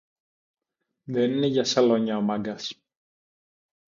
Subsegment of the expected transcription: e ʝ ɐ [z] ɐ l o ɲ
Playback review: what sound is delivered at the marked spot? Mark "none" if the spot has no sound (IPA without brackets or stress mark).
s